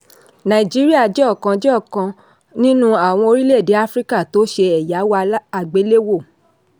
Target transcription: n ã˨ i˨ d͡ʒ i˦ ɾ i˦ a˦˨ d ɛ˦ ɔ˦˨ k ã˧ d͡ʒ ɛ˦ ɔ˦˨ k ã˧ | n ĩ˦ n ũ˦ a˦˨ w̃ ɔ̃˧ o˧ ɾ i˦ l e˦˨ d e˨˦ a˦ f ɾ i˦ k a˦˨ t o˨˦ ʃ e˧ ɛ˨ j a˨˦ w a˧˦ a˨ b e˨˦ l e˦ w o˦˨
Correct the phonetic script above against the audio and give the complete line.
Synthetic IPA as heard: n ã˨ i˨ d͡ʒ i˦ ɾ i˦ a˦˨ d͡ʒ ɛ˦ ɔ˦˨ k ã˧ d͡ʒ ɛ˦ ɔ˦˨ k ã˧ | n ĩ˦ n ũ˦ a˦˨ w̃ ɔ̃˧ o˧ ɾ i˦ l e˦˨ d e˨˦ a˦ f ɾ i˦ k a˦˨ t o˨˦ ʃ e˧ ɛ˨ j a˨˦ w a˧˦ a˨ ɡ͡b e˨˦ l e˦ w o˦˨